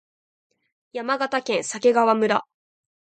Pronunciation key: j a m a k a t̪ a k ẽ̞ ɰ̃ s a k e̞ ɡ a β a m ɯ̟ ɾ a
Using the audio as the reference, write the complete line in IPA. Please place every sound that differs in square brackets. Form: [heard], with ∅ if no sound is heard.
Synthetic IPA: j a m a [ɡ] a t̪ a k ẽ̞ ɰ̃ s a k e̞ ɡ a β a m ɯ̟ ɾ a